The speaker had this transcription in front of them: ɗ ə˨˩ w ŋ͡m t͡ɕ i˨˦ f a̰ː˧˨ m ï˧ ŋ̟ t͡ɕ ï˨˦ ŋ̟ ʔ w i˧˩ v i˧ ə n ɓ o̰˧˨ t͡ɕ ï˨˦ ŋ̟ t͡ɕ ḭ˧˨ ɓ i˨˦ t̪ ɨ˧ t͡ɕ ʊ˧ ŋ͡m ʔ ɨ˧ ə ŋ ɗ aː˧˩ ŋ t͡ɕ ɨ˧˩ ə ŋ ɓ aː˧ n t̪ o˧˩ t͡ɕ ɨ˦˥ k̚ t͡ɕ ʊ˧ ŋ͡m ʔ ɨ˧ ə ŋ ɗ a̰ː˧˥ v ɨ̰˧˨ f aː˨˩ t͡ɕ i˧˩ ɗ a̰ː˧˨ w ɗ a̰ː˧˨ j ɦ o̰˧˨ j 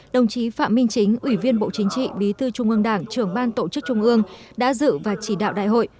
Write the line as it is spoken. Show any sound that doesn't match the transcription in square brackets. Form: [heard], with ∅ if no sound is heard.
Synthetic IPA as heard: ɗ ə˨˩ w ŋ͡m t͡ɕ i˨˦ f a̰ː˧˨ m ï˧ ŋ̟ t͡ɕ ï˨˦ ŋ̟ ʔ w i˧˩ v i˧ ə n ɓ o̰˧˨ t͡ɕ ï˨˦ ŋ̟ t͡ɕ ḭ˧˨ ɓ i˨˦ t̪ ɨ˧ t͡ɕ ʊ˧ ŋ͡m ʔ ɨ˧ ə ŋ ɗ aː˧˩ ŋ t͡ɕ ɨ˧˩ ə ŋ ɓ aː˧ n t̪ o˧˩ t͡ɕ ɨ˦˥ k̚ t͡ɕ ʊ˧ ŋ͡m ʔ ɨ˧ ə ŋ ɗ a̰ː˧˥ [z] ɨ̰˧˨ [v] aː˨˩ t͡ɕ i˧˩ ɗ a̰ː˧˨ w ɗ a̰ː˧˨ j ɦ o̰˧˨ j

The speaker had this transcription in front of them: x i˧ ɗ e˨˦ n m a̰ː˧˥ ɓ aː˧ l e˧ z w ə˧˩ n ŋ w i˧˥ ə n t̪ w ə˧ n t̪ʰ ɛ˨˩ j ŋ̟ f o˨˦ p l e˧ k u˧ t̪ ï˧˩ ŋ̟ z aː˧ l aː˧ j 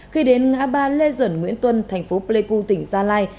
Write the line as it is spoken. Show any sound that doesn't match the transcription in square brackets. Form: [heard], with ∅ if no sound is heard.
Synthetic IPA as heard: x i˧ ɗ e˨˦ n [ŋ] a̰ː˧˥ ɓ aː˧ l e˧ z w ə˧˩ n ŋ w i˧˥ ə n t̪ w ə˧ n t̪ʰ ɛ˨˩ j ŋ̟ f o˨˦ p l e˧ k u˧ t̪ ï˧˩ ŋ̟ z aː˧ l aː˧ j

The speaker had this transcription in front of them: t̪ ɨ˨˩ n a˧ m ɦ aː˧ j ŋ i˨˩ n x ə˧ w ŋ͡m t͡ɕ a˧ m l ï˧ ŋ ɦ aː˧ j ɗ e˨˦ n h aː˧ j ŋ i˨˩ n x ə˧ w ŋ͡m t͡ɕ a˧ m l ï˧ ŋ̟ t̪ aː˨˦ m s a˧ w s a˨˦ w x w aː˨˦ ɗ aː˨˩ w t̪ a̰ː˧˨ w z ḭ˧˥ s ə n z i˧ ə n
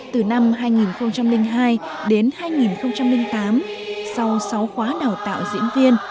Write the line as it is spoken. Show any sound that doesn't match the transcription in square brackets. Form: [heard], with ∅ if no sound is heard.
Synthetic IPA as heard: t̪ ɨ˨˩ n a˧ m ɦ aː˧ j ŋ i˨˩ n x ə˧ w ŋ͡m t͡ɕ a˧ m l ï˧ ŋ ɦ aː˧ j ɗ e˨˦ n h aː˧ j ŋ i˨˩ n x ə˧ w ŋ͡m t͡ɕ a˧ m l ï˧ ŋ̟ t̪ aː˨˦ m s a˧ w s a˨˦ w x w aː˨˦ ɗ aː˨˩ w t̪ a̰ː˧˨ w z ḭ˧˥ [∅] ə n [v] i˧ ə n

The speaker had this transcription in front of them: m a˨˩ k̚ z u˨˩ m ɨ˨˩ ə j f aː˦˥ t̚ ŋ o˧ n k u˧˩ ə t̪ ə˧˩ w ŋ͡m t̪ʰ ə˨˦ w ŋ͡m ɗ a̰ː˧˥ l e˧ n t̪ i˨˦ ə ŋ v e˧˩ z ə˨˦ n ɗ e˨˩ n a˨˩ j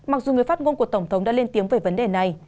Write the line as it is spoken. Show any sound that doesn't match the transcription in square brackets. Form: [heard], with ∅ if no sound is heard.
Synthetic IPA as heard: m a˨˩ k̚ z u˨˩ [ŋ] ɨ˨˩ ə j f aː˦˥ t̚ ŋ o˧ n k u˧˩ ə t̪ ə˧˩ w ŋ͡m t̪ʰ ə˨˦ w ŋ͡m ɗ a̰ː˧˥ l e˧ n t̪ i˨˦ ə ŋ v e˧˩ [v] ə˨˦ n ɗ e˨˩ n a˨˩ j

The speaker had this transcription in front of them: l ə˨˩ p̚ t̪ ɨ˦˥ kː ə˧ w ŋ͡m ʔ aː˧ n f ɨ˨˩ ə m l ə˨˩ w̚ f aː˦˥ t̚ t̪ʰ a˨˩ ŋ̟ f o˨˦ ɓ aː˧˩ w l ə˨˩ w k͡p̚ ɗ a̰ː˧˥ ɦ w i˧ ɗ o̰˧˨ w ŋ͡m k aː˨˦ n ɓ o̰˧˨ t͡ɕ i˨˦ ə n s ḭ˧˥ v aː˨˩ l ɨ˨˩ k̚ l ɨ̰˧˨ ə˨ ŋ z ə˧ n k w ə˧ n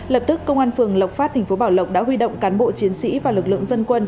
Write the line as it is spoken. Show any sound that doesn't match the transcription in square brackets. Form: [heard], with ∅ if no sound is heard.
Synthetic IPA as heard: l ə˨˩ p̚ t̪ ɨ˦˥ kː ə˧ w ŋ͡m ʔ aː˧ n f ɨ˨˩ ə [ŋ] l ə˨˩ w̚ f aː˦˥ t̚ t̪ʰ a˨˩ ŋ̟ f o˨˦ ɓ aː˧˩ w l ə˨˩ w k͡p̚ ɗ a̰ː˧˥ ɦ w i˧ ɗ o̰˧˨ w ŋ͡m k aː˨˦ n ɓ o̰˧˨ t͡ɕ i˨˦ ə n s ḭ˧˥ v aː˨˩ l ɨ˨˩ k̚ l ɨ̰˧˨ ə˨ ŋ z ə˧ n k w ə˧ n

